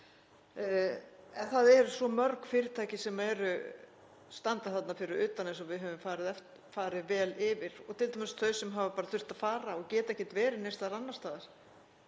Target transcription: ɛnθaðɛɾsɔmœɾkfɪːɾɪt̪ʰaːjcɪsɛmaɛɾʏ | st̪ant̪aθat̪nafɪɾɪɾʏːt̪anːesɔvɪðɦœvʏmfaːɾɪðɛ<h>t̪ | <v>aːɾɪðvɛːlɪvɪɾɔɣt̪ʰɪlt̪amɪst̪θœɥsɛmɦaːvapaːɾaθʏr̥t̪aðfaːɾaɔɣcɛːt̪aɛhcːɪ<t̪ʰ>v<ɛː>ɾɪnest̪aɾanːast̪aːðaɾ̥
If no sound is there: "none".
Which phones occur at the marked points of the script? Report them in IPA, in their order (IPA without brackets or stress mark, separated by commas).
f, f, t̪, ɛː